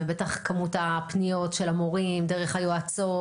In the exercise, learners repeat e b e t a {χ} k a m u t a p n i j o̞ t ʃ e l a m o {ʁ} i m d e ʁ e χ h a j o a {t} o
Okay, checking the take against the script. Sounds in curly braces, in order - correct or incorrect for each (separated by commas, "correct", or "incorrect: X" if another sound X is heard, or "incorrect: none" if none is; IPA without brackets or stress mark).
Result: correct, correct, incorrect: t͡s